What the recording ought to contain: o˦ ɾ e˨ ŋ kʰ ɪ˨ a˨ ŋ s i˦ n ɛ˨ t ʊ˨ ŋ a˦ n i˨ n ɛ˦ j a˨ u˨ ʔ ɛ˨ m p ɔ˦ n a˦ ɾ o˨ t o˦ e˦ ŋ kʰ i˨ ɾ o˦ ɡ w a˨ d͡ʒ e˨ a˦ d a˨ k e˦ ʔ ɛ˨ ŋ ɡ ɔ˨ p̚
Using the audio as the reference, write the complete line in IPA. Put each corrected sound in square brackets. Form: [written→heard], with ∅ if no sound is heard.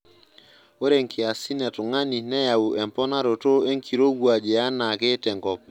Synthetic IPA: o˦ ɾ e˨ ŋ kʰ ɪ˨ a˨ [ŋ→∅] s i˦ n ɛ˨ t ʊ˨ ŋ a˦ n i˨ n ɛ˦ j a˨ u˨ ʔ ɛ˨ m p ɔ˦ n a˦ ɾ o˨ t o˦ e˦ ŋ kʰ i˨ ɾ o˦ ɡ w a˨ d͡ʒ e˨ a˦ [d→n] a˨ k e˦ [ʔ→t] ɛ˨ ŋ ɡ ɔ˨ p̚